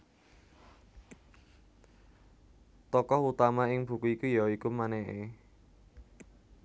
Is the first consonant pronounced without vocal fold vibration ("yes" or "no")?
yes